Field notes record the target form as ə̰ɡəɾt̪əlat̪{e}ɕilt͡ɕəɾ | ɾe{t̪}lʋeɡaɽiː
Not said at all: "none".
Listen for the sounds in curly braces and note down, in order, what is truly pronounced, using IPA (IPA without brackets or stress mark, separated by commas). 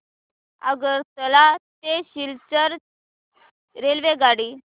e, none